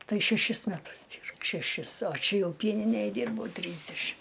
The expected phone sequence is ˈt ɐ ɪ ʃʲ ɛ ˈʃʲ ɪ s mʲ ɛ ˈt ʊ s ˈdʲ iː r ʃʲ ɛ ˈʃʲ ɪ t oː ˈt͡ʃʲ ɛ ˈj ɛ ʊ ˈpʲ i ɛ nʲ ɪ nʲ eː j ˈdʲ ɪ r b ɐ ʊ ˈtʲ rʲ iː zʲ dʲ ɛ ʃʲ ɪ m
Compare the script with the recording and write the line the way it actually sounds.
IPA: ˈt ɐ ɪ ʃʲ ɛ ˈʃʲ ɪ s mʲ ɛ ˈt ʊ s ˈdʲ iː r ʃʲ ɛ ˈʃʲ ɪ s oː ˈt͡ʃʲ ɛ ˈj ɛ ʊ ˈpʲ i ɛ nʲ ɪ nʲ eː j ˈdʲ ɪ r b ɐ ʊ ˈtʲ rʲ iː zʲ dʲ ɛ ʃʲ ɪ m